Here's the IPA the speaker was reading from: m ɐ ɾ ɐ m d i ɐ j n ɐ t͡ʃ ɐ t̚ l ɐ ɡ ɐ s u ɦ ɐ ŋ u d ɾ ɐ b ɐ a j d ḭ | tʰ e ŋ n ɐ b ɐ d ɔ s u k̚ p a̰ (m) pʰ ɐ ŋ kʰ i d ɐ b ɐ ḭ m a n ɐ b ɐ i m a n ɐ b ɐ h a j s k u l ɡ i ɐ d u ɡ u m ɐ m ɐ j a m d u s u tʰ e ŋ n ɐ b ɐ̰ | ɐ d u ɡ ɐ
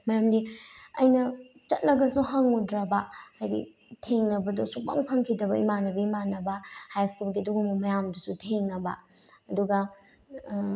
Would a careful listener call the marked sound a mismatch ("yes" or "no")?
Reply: yes